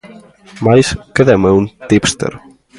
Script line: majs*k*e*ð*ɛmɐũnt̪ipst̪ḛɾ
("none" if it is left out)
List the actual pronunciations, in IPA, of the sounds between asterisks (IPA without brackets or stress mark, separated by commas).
k, ð